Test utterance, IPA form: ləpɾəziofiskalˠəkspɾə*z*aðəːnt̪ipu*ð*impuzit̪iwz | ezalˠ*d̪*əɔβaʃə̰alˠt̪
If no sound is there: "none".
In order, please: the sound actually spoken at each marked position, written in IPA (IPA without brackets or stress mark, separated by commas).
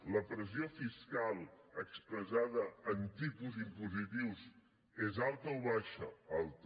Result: z, z, t̪